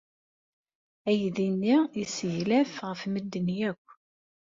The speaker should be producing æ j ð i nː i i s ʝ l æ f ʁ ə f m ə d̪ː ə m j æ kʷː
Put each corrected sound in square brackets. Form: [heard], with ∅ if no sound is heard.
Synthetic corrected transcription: æ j ð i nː i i s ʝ l æ f ʁ ə f m ə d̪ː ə [n] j æ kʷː